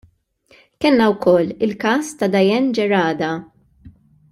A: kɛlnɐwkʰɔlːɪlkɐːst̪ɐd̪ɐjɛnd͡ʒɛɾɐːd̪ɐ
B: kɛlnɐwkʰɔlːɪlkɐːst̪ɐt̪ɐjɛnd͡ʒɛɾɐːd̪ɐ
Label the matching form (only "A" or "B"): A